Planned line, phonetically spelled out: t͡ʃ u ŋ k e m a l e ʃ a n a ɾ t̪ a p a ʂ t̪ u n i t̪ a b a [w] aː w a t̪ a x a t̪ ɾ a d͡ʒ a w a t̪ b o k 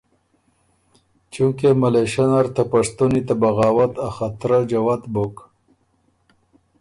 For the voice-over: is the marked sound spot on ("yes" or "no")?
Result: no